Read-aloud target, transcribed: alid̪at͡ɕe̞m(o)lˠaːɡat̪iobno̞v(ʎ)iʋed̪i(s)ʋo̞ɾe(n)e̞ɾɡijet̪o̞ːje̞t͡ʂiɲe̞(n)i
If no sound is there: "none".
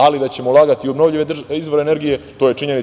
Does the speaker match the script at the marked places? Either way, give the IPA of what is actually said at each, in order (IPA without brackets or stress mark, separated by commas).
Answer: o, ʎ, z, n, n